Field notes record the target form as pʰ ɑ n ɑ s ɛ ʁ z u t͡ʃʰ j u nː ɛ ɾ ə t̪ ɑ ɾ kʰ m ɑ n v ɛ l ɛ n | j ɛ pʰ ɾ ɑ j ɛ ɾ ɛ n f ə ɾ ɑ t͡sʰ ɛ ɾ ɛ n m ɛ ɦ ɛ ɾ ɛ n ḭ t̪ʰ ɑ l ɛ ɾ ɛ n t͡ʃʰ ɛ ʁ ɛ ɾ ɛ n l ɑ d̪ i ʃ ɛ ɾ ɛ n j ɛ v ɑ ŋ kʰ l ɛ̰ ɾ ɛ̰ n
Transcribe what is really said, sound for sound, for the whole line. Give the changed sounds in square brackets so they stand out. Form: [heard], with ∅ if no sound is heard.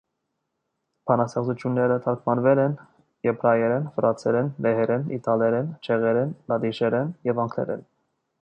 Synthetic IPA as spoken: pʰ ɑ n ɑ s ɛ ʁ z u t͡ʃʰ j u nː ɛ ɾ ə [t̪ʰ] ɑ ɾ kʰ m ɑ n v ɛ l ɛ n | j ɛ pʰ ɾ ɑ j ɛ ɾ ɛ n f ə ɾ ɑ t͡sʰ ɛ ɾ ɛ n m ɛ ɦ ɛ ɾ ɛ n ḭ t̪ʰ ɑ l ɛ ɾ ɛ n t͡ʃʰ ɛ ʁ ɛ ɾ ɛ n l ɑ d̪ i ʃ ɛ ɾ ɛ n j ɛ v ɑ ŋ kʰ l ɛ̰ ɾ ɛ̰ n